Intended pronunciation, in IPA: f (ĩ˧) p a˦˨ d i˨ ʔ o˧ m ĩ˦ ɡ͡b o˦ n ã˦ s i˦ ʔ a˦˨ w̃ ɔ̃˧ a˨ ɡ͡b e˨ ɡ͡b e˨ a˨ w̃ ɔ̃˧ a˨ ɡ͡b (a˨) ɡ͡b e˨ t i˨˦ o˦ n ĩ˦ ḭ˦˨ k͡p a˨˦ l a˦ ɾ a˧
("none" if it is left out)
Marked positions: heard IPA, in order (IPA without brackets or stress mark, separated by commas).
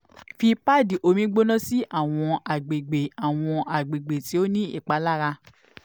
i˧, e˨